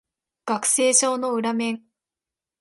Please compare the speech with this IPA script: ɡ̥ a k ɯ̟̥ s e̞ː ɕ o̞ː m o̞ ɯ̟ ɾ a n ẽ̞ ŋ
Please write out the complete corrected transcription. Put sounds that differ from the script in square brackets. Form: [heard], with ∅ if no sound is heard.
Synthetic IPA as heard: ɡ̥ a k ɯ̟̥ s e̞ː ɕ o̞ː [n] o̞ ɯ̟ ɾ a [m] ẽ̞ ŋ